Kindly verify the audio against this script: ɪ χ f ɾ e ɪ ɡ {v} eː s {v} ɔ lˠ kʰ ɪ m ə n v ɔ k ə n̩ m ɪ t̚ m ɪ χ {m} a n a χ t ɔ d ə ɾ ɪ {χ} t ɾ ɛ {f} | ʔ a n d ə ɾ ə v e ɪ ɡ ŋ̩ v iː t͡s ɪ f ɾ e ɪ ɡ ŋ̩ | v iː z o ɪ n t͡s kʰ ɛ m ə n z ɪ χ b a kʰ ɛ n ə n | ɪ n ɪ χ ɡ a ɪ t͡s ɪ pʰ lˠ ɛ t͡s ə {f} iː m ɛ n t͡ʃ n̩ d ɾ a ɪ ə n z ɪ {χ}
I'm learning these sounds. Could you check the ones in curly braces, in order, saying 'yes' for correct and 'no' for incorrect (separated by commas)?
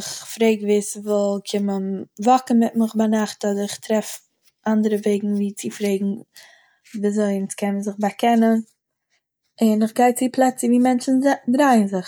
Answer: yes, yes, no, yes, yes, no, yes